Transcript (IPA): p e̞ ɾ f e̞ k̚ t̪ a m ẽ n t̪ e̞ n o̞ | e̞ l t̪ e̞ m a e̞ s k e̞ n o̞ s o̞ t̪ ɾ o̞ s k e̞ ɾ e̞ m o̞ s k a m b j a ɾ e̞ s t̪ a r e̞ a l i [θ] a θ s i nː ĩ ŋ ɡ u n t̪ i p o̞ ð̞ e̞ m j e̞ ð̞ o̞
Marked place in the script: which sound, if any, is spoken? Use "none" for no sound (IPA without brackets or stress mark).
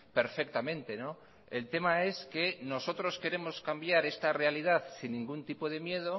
ð